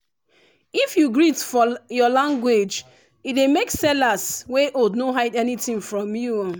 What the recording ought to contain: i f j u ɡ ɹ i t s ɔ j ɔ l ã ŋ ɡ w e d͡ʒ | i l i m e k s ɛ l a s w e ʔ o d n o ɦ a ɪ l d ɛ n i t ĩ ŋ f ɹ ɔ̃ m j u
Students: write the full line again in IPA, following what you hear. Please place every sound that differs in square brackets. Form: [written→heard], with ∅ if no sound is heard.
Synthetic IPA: i f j u ɡ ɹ i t [s→f] ɔ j ɔ l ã ŋ ɡ w e d͡ʒ | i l [i→e] m e k s ɛ l a s w e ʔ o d n o ɦ a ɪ [l→∅] d ɛ n i t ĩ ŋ f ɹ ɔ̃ m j u